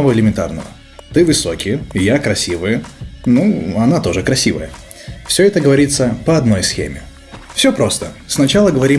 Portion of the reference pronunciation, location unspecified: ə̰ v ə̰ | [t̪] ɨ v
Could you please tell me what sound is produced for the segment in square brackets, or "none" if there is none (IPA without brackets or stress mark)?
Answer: t̪